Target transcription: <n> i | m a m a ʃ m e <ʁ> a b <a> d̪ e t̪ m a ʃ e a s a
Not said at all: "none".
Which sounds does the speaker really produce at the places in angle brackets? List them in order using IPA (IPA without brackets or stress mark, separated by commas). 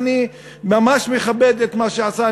n, χ, e